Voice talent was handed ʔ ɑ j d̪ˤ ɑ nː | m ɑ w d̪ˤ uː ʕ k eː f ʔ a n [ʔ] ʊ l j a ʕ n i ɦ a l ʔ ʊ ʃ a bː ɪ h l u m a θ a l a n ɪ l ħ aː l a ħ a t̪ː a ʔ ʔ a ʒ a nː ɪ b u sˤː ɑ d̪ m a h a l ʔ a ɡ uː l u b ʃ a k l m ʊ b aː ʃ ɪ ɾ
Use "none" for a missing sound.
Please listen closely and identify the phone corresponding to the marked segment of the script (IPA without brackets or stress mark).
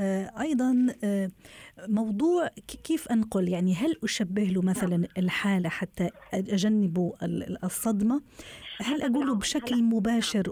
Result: q